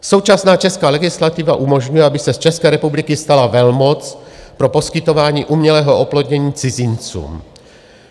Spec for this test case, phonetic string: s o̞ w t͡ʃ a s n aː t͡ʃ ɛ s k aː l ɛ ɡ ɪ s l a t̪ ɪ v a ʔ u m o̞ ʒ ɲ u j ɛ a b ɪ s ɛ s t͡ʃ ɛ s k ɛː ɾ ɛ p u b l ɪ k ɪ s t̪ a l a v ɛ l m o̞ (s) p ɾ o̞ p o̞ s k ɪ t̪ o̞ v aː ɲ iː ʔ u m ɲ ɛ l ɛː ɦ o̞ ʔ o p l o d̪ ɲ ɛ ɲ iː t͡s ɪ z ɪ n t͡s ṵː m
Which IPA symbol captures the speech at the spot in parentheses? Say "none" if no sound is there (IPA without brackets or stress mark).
t͡s